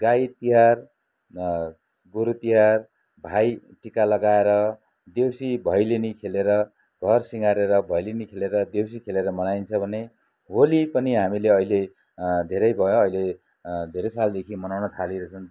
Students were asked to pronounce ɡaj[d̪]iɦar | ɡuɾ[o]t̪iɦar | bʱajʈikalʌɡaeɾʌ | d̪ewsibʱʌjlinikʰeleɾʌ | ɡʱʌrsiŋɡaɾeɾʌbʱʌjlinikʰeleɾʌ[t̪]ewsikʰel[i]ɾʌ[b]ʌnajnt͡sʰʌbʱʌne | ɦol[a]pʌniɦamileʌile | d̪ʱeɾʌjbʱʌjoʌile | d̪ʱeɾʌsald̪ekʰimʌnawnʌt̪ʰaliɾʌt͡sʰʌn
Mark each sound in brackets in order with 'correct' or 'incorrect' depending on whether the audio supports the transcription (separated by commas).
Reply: incorrect, incorrect, incorrect, incorrect, incorrect, incorrect